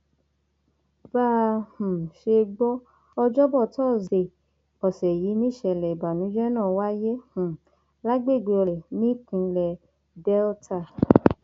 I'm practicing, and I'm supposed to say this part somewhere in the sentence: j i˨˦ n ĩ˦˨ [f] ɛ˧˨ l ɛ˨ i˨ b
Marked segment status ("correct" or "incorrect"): incorrect